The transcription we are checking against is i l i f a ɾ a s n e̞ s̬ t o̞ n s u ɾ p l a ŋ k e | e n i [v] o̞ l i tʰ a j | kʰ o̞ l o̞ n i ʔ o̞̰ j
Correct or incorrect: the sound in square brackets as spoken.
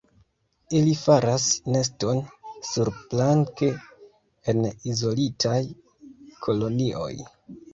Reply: incorrect: z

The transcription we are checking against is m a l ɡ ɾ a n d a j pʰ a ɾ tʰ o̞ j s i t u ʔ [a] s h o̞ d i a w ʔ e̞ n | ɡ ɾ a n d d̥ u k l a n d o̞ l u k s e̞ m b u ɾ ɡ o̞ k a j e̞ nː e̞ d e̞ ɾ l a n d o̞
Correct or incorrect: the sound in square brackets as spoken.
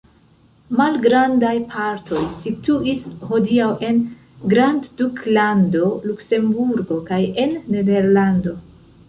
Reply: incorrect: i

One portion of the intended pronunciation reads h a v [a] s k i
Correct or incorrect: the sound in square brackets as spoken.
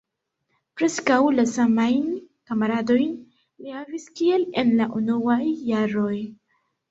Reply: incorrect: i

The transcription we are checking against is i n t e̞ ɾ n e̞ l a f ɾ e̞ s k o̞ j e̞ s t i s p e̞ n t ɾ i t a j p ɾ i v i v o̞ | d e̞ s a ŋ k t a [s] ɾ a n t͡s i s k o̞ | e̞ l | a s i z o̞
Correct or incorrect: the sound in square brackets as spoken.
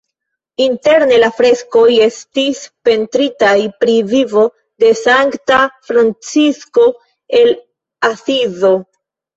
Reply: incorrect: f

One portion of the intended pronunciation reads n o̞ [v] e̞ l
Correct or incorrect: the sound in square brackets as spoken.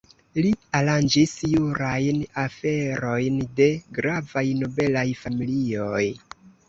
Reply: incorrect: b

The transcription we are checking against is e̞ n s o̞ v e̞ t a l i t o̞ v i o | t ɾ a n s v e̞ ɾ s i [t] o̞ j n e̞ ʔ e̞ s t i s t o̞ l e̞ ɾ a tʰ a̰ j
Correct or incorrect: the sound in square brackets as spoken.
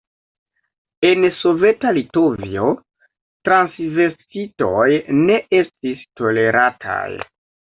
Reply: correct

